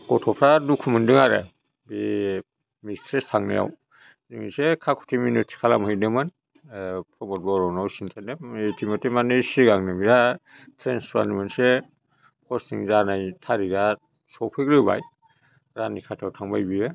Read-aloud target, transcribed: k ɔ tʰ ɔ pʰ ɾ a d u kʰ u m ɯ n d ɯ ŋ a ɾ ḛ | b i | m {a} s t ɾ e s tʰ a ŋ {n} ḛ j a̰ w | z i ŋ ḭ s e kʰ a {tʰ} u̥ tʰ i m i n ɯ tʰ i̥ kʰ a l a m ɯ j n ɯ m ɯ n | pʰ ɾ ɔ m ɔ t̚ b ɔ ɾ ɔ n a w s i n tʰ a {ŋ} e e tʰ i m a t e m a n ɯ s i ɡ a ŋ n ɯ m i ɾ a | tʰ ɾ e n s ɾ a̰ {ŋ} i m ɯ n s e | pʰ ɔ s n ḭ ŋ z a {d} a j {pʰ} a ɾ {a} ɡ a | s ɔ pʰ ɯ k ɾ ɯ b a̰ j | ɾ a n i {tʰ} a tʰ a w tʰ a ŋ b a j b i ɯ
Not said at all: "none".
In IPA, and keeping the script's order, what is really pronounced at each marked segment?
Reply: i, n, kʰ, n, n, n, tʰ, i, kʰ

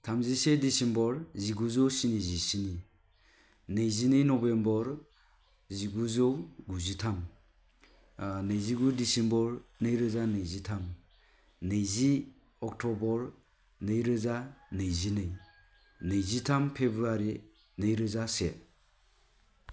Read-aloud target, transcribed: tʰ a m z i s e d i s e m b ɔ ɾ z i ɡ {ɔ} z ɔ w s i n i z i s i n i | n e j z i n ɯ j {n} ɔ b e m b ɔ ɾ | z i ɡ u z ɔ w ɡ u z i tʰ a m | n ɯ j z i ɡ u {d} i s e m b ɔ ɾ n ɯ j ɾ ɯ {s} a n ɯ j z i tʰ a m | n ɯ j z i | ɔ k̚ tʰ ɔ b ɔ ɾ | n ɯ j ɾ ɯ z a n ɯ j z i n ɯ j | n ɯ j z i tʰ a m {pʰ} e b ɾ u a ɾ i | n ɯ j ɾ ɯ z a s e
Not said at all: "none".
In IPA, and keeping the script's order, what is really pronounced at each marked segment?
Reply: u, n, d, z, pʰ

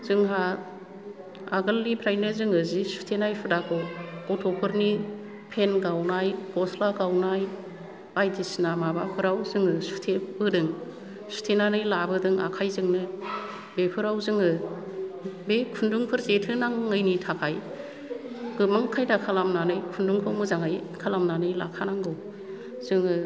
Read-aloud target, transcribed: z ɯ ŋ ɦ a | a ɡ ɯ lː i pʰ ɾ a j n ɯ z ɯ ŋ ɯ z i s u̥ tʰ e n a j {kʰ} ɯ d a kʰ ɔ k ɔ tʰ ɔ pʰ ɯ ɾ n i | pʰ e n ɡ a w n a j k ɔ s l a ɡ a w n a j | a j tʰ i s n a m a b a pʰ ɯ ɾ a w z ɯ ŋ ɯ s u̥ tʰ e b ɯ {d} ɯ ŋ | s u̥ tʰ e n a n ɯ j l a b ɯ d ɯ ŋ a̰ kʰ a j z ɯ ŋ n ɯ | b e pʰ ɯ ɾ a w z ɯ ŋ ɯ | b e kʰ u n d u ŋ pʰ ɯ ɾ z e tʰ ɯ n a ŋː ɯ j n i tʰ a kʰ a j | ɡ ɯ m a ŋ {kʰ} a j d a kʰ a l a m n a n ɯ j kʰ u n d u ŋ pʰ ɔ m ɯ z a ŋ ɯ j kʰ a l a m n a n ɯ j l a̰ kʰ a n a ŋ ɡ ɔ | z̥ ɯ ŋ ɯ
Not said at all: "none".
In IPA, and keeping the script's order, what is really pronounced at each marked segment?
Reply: pʰ, d, kʰ

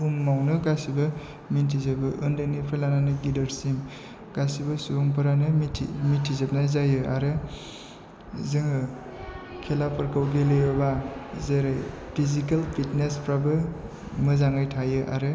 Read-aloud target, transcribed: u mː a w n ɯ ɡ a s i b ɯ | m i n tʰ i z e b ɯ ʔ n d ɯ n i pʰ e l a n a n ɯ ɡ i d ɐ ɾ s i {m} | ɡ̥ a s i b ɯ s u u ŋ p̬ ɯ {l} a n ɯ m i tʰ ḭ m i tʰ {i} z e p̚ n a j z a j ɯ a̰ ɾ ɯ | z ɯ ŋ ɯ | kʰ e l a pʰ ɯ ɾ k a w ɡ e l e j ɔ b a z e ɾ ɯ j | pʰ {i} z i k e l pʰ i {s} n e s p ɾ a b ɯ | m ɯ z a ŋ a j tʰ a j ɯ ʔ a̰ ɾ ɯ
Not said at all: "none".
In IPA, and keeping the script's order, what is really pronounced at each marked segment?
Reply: m, ɾ, i, i, t

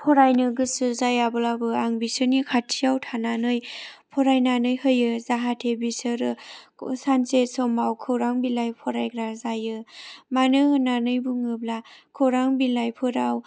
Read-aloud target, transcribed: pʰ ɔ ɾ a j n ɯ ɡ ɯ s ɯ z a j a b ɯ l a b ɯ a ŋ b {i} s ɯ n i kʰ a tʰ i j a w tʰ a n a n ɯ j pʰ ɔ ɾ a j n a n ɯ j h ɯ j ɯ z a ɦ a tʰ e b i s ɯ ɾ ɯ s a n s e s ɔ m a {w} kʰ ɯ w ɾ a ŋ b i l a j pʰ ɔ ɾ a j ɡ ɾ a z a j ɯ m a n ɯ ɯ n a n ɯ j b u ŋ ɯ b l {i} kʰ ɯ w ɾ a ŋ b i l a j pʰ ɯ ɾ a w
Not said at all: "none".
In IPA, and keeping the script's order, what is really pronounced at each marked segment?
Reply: i, w, a

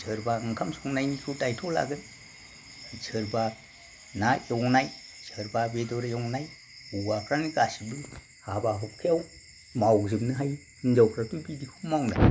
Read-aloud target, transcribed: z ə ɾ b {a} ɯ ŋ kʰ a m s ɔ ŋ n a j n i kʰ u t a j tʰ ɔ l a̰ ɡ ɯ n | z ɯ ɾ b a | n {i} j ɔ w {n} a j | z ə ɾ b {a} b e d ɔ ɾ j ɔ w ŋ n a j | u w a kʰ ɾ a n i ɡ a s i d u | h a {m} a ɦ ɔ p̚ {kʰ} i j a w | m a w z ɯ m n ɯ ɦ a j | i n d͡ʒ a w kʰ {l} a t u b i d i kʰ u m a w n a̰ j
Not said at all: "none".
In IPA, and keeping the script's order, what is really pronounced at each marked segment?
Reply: a, a, n, a, b, kʰ, ɾ

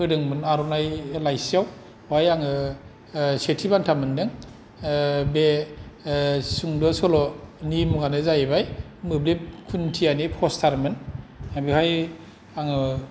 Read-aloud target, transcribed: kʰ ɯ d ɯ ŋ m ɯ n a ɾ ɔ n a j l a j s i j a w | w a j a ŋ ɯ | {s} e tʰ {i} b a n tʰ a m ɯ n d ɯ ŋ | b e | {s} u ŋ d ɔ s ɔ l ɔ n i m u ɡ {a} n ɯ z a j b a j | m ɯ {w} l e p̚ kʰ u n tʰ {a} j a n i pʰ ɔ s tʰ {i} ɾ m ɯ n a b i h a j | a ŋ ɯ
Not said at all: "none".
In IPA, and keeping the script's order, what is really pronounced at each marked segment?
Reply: s, i, s, a, b, i, a

